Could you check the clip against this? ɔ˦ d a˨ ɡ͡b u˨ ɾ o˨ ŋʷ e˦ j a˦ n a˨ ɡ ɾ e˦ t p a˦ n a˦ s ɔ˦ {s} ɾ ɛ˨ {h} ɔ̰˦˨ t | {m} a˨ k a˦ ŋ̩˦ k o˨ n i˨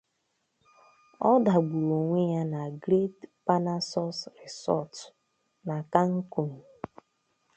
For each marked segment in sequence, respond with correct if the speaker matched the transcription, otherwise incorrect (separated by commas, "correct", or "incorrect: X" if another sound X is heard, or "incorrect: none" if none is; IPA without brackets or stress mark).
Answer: correct, incorrect: s, incorrect: n